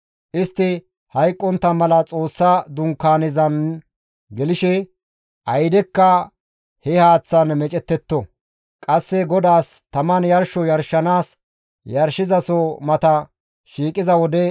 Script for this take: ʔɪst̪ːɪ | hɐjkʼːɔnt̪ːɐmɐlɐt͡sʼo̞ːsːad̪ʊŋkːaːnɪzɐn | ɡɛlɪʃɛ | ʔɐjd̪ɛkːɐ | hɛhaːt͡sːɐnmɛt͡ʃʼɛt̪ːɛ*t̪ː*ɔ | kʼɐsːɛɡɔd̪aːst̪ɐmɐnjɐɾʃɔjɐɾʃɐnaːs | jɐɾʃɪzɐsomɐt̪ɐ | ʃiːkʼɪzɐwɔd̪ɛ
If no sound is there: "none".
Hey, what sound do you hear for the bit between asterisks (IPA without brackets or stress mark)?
t̪ː